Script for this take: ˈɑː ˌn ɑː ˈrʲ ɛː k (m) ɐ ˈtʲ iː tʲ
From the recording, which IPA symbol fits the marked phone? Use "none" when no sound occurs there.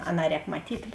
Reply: m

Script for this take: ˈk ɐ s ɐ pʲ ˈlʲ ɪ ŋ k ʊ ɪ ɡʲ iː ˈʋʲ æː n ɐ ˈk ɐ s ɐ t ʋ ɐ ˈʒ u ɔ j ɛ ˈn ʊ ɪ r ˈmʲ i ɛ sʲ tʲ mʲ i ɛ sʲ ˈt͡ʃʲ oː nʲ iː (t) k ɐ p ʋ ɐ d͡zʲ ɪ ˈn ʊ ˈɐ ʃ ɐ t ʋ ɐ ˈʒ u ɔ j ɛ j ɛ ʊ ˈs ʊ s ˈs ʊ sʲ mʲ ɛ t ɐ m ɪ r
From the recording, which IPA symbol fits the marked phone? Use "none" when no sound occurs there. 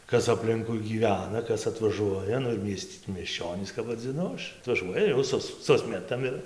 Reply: s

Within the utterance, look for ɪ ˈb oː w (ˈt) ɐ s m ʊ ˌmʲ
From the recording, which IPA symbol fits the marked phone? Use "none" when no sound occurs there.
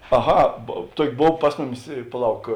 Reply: p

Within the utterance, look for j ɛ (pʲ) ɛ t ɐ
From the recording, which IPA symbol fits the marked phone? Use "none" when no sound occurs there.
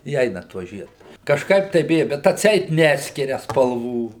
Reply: bʲ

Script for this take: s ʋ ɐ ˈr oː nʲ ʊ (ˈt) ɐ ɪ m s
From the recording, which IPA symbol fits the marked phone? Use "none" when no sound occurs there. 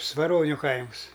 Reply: k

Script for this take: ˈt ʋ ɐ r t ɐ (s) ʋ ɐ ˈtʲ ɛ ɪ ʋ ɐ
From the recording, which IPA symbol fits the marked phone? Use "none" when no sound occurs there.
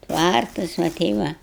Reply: s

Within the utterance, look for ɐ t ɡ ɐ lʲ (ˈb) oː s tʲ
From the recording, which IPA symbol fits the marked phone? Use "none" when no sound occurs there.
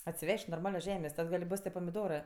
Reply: b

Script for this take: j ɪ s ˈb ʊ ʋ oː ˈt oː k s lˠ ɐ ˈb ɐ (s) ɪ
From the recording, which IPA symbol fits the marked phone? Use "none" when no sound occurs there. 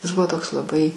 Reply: none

